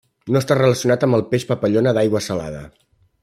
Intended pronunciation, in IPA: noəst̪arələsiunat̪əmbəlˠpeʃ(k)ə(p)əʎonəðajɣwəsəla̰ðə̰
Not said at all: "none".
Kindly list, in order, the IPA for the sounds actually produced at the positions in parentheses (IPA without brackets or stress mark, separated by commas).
p, p